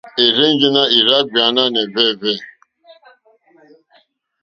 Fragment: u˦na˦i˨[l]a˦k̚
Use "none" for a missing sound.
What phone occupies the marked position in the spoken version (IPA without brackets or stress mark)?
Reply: ɾ